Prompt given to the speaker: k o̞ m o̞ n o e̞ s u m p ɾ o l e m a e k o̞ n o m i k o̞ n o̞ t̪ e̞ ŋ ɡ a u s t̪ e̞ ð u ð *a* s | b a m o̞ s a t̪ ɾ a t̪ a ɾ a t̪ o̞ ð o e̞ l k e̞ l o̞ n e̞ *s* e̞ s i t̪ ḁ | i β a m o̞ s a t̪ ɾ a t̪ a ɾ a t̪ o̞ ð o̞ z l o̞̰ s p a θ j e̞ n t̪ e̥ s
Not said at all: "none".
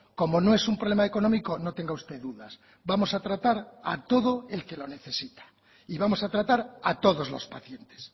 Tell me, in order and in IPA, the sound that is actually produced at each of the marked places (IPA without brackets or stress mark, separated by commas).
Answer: a, θ